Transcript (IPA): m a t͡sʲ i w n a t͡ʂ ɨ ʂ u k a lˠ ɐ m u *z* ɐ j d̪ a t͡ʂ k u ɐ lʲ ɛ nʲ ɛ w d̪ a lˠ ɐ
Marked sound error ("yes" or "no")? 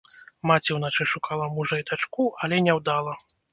yes